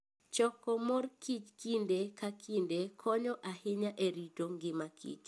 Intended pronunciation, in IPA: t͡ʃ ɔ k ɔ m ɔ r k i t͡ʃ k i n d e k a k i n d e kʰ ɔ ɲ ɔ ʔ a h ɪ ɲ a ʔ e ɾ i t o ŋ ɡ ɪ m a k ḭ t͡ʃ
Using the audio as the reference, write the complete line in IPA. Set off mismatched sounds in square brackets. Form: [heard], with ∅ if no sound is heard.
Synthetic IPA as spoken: t͡ʃ ɔ k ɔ m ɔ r k i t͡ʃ k i n d e k a k i n d e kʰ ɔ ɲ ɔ ʔ a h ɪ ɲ a ʔ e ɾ i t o ŋ ɡ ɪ m a k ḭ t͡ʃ